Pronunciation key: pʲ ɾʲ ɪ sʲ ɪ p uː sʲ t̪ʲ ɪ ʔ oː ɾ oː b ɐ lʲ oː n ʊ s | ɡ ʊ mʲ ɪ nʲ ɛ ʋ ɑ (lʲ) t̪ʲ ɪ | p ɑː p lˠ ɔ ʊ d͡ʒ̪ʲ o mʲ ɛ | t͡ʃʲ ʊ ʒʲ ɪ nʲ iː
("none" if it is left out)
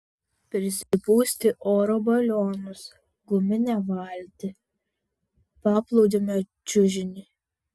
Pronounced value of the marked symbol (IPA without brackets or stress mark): lʲ